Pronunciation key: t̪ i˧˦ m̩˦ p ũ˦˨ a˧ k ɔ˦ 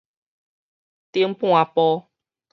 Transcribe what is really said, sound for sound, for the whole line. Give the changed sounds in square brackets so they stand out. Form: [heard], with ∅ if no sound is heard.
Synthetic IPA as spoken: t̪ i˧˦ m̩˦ p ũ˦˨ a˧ [p] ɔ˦